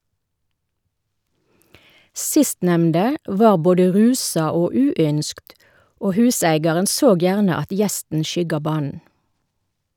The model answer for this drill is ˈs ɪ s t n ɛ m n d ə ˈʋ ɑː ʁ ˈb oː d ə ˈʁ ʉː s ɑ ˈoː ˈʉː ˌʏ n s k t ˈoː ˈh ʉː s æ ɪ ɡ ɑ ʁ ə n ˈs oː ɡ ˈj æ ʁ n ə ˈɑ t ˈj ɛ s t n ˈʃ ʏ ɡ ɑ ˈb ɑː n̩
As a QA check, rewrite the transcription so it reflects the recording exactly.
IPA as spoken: ˈs ɪ s t n ɛ m n d ə ˈʋ ɑː ʁ ˈb oː d ə ˈʁ ʉː s ɑ ˈoː ˈʉː ˌʏ n s k t ˈoː ˈh ʉː s æ ɪ ɡ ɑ ʁ ə n ˈs oː ɡ ˈj æː ʁ n ə ˈɑ t ˈj ɛ s t n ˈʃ ʏ ɡ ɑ ˈb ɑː n̩